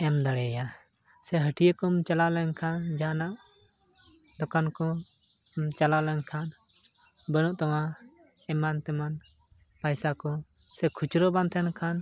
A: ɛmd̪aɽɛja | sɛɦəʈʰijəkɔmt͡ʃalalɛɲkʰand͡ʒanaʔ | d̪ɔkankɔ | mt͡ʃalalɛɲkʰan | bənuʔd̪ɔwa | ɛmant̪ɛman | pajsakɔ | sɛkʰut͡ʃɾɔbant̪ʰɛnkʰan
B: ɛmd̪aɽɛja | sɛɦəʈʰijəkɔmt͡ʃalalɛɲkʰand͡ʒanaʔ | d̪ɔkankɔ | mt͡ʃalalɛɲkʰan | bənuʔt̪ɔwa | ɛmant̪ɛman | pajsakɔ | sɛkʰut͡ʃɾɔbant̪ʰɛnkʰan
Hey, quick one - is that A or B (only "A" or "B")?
B